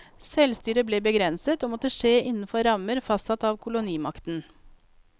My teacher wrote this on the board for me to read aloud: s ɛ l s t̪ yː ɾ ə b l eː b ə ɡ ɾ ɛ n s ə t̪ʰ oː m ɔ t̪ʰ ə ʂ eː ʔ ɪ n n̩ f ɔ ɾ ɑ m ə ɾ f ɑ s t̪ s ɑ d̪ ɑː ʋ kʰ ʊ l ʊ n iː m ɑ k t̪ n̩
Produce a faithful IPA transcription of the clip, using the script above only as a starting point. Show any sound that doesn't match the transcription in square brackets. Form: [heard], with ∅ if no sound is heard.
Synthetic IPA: s ɛ l s t̪ yː ɾ ə b l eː b ə ɡ ɾ ɛ n s ə [t̪] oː m ɔ [t̪] ə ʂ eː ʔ ɪ n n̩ f ɔ ɾ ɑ m ə ɾ f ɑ s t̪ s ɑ [t̪] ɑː ʋ kʰ ʊ l ʊ n iː m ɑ k t̪ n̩